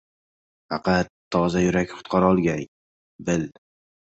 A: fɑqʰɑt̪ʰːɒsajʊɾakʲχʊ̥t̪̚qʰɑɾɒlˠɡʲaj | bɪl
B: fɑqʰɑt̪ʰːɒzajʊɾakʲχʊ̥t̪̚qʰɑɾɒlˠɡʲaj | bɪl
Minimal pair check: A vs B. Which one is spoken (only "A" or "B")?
B